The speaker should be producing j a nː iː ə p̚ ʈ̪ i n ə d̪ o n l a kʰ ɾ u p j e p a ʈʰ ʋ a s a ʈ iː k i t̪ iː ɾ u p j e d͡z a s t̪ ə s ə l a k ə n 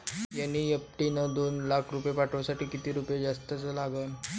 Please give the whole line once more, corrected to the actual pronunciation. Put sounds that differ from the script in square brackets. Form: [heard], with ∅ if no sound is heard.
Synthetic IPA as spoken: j a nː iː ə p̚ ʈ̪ i n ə d̪ o n l a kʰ ɾ u p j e p a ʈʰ ʋ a s a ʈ iː k i t̪ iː ɾ u p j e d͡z a s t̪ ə [t͡s] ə l a [ɡ] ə n